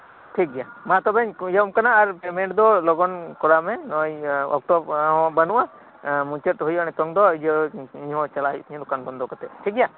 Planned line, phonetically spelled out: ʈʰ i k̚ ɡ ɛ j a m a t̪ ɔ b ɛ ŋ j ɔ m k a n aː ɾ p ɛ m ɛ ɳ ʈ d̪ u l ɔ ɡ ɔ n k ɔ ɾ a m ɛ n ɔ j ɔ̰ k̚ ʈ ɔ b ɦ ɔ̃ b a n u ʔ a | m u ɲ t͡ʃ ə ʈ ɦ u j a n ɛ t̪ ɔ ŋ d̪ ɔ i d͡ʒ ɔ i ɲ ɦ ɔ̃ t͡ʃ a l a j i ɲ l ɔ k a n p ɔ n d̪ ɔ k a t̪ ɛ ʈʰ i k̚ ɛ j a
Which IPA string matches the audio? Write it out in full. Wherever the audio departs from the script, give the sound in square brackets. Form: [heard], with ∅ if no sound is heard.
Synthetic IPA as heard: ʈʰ i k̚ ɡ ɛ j a m a t̪ ɔ b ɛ [ɲ] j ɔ m k a n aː ɾ p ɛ m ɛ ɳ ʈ d̪ [ɔ] l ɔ ɡ ɔ n k ɔ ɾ a m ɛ n ɔ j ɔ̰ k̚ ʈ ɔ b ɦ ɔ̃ b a n u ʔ a | m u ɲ t͡ʃ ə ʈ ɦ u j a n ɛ t̪ ɔ ŋ d̪ ɔ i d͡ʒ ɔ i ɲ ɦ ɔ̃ t͡ʃ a l a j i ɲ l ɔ k a n [b] ɔ n d̪ ɔ k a t̪ ɛ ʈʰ i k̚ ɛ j a